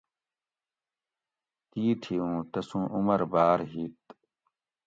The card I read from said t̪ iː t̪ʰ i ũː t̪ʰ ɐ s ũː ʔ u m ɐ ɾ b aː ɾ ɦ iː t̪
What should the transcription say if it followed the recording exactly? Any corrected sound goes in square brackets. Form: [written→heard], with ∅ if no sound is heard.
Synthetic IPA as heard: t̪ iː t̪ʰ i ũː [t̪ʰ→t̪] ɐ s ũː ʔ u m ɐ ɾ b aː ɾ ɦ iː t̪

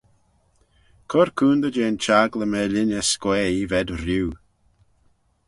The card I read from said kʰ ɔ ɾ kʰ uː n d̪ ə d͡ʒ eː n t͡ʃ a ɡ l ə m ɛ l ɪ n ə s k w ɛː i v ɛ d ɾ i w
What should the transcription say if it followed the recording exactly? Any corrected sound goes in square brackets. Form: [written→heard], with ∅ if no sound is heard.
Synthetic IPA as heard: kʰ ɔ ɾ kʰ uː n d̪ ə d͡ʒ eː n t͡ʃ a ɡ l ə m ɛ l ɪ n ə s k w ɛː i v ɛ d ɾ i w

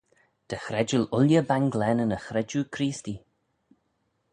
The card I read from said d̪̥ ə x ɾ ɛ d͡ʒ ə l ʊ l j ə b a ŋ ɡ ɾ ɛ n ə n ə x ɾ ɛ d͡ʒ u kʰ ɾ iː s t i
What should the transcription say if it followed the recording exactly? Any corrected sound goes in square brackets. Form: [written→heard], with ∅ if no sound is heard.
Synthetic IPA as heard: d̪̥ ə x ɾ ɛ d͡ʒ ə l ʊ l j ə b a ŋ ɡ [ɾ→l] ɛ n ə n ə x ɾ ɛ d͡ʒ u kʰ ɾ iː s t i

